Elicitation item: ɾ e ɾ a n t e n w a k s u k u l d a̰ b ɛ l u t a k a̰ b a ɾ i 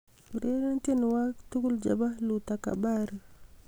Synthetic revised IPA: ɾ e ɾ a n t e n w a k t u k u l d͡ʒ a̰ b a l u t a k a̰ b a ɾ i